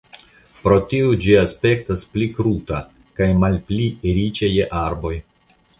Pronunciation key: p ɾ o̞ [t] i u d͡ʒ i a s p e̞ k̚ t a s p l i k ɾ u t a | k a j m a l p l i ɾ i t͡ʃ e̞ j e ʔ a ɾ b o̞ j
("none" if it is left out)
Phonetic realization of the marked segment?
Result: t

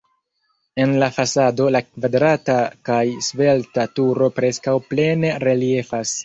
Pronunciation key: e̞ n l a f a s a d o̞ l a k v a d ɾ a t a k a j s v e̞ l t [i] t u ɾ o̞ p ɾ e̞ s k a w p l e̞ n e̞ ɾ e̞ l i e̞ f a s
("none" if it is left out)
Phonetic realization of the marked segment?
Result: a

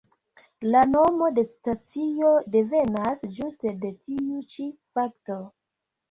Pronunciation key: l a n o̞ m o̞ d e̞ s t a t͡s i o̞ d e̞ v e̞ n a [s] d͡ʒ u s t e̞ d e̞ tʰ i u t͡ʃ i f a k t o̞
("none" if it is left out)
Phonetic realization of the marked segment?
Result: s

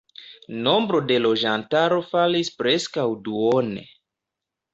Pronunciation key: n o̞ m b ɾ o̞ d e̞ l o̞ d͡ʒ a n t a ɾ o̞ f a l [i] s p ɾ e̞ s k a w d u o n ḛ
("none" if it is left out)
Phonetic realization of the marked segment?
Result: i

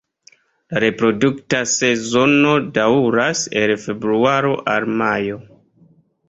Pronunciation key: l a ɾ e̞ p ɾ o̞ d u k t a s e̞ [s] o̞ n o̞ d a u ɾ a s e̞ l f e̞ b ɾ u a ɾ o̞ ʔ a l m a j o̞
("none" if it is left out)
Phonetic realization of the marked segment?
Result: z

